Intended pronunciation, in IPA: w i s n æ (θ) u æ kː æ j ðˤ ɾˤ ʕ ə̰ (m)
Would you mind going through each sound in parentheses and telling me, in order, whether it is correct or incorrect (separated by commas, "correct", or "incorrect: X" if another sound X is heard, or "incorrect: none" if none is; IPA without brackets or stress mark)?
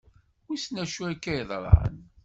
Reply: incorrect: ʃ, incorrect: n